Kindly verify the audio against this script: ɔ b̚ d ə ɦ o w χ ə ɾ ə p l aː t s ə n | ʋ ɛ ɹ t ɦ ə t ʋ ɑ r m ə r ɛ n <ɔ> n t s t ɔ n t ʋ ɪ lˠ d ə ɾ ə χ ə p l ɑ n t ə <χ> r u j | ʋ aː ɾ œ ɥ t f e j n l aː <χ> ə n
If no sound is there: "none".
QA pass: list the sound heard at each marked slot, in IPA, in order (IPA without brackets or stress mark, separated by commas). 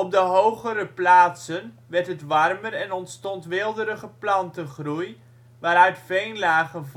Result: ɔ, χ, χ